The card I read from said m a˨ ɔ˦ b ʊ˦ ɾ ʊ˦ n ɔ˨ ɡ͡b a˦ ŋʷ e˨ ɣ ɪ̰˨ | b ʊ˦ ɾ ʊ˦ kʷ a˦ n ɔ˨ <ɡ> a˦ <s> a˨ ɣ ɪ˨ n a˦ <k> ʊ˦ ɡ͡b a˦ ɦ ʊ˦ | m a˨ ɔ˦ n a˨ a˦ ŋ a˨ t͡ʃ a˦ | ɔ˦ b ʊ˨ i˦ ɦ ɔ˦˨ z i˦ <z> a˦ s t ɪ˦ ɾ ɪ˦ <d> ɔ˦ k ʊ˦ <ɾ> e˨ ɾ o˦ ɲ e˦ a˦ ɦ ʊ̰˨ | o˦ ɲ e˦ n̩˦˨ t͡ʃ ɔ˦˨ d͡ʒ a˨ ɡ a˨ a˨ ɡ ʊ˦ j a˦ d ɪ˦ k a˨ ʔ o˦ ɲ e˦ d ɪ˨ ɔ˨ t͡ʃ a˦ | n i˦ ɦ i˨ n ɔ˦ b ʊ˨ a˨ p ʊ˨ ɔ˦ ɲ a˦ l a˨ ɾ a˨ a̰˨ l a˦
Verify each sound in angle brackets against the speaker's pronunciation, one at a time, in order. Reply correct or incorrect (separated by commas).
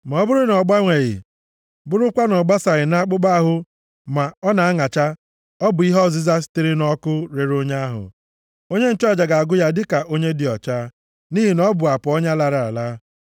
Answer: incorrect, correct, incorrect, correct, incorrect, correct